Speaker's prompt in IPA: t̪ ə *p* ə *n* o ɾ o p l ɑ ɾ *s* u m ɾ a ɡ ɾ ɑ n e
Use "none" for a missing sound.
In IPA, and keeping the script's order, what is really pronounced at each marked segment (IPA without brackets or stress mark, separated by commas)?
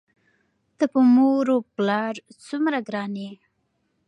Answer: p, m, t͡s